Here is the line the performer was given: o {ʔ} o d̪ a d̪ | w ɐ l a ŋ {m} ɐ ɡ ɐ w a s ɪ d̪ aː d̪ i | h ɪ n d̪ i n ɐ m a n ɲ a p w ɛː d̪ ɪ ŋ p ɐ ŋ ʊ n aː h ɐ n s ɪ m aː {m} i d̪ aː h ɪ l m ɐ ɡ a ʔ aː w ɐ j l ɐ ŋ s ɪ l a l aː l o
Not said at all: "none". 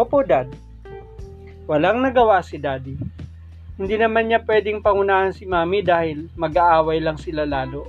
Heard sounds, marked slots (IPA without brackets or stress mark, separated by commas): p, n, m